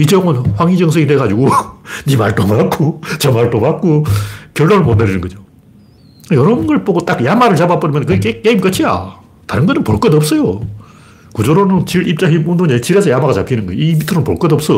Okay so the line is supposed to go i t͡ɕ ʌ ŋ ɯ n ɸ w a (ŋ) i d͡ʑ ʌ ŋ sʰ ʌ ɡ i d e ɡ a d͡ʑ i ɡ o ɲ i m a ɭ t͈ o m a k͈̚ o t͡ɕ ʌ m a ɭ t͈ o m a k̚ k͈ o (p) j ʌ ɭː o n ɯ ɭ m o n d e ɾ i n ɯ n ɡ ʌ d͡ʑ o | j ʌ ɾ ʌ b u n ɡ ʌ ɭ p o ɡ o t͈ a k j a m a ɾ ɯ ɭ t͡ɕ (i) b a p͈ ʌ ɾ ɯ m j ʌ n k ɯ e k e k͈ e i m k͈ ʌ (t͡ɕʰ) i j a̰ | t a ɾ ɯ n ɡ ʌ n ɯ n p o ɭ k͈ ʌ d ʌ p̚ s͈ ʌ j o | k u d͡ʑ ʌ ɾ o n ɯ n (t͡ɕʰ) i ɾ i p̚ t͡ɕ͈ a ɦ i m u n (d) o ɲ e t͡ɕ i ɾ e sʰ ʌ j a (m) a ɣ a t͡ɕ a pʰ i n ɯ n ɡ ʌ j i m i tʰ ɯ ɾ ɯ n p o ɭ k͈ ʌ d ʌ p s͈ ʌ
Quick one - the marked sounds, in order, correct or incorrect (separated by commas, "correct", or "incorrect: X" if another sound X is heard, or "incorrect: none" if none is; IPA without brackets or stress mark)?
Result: correct, incorrect: k, incorrect: a, correct, incorrect: t͡ɕ, correct, correct